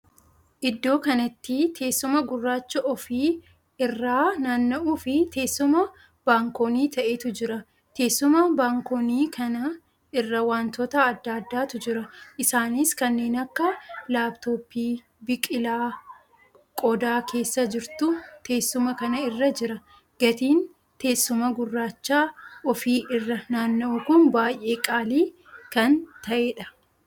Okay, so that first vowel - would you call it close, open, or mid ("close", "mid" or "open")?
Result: close